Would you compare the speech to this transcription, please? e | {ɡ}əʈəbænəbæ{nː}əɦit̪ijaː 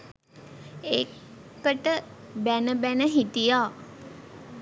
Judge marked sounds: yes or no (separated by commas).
no, no